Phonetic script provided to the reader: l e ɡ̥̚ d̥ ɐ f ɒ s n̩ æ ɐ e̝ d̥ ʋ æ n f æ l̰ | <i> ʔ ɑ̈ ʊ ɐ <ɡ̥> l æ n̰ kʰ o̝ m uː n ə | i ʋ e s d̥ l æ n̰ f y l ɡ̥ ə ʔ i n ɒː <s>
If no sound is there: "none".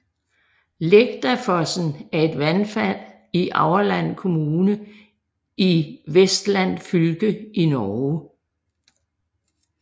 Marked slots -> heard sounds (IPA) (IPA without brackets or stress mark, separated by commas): i, none, none